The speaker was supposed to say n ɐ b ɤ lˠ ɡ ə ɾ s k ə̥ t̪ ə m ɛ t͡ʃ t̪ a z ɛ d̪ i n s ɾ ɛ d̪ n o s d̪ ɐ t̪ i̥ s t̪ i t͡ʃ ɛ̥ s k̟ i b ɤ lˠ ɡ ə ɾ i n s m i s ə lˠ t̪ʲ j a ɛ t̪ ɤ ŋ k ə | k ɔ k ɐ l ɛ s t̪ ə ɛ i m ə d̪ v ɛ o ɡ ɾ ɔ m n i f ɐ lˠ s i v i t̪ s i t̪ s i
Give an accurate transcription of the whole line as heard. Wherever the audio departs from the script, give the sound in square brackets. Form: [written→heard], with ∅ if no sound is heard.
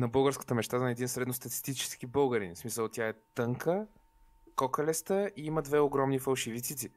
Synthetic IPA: n ɐ b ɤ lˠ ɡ ə ɾ s k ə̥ t̪ ə m ɛ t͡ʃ t̪ a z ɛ d̪ i n s ɾ ɛ d̪ n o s [d̪→t̪] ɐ t̪ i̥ s t̪ i t͡ʃ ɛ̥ s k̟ i b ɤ lˠ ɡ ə ɾ i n s m i s ə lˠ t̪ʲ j a ɛ t̪ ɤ ŋ k ə | k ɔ k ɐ l ɛ s t̪ ə [ɛ→i] i m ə d̪ v ɛ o ɡ ɾ ɔ m n i f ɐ lˠ [s→ʃ] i v i t̪ s i t̪ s i